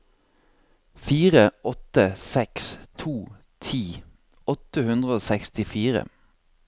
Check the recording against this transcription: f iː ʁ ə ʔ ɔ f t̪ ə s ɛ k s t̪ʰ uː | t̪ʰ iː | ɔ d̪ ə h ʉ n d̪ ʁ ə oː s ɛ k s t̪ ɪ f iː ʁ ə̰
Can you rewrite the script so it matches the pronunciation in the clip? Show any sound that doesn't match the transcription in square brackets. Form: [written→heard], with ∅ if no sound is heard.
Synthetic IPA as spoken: f iː ʁ ə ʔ ɔ [f→∅] t̪ ə s ɛ k s t̪ʰ uː | t̪ʰ iː | ɔ [d̪→t̪] ə h ʉ n d̪ ʁ ə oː s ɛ k s t̪ ɪ f iː ʁ ə̰